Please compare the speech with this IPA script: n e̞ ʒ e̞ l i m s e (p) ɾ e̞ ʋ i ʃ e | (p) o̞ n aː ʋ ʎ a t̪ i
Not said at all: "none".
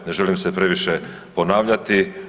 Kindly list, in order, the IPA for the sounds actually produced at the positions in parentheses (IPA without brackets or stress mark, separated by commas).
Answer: p, p